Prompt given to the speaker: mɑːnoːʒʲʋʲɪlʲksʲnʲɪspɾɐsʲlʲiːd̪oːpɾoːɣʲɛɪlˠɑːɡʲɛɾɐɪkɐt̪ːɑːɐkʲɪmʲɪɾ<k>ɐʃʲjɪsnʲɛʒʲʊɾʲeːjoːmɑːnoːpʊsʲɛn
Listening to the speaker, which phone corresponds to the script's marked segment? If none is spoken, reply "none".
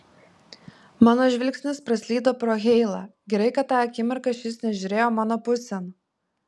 k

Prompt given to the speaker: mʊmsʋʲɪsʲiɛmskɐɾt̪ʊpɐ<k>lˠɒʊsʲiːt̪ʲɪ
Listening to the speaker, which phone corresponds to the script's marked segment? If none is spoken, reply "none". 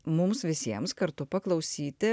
k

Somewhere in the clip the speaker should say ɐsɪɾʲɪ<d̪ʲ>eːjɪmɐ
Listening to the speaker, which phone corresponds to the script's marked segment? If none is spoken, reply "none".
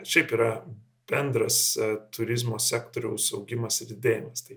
d̪ʲ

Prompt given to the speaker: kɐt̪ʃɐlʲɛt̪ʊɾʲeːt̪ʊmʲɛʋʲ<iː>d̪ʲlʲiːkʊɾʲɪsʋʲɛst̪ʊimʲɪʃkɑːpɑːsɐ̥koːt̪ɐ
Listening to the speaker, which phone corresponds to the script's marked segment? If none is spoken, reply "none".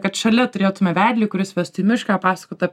æː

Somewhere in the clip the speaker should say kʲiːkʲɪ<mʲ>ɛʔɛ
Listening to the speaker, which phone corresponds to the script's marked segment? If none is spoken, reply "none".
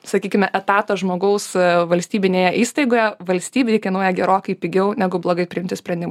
mʲ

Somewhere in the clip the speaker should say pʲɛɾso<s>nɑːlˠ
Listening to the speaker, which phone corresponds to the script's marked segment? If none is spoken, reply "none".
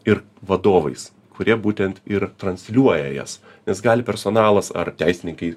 none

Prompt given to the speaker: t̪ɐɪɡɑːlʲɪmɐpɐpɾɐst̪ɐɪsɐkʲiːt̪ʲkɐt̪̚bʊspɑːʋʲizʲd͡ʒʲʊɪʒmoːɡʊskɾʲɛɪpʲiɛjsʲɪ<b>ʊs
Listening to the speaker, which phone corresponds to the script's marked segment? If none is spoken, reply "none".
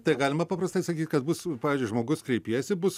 b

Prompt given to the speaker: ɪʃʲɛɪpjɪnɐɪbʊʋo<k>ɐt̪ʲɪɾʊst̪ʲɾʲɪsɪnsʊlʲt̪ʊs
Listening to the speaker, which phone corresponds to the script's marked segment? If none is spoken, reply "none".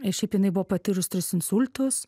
p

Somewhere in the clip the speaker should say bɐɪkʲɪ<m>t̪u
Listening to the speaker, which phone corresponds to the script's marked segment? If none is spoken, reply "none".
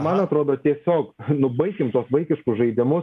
m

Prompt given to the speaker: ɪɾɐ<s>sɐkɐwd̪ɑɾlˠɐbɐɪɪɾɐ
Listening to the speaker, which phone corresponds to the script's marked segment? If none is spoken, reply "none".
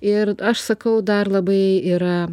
ʃ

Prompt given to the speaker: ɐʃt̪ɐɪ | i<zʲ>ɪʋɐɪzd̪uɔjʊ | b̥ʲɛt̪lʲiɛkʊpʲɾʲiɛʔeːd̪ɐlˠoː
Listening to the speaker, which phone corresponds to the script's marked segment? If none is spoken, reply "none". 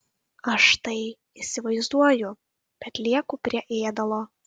sʲ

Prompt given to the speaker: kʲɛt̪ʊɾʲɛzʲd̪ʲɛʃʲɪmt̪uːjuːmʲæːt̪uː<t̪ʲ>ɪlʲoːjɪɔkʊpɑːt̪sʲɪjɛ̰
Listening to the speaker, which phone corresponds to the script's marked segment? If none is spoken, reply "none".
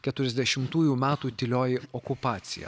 t̪ʲ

